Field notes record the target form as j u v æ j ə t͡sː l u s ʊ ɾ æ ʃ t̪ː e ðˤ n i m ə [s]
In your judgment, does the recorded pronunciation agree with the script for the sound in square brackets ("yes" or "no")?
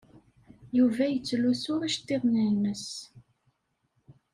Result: yes